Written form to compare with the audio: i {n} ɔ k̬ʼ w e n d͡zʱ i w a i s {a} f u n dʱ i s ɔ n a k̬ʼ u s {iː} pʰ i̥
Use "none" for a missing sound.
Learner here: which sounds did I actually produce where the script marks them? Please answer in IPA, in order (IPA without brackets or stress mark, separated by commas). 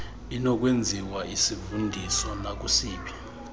n, i, iː